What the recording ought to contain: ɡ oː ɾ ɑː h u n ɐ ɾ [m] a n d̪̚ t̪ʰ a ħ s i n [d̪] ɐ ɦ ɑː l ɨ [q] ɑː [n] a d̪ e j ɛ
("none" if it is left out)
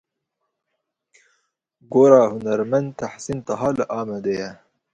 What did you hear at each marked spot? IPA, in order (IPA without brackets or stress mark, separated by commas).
m, t̪, ʔ, m